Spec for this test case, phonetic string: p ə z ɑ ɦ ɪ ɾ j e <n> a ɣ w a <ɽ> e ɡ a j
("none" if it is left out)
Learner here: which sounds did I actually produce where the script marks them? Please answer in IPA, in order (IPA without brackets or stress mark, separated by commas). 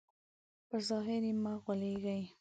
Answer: m, l